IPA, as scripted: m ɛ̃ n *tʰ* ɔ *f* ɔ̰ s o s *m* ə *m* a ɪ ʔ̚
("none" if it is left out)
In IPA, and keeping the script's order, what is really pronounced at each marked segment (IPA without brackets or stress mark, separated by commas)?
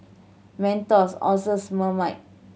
t, s, m, m